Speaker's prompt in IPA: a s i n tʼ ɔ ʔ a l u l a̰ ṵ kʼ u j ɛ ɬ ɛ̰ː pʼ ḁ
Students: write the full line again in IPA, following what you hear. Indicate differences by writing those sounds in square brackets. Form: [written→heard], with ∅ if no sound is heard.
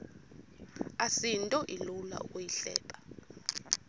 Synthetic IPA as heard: a s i n tʼ ɔ ʔ [a→i] l u l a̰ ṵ kʼ u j [ɛ→i] ɬ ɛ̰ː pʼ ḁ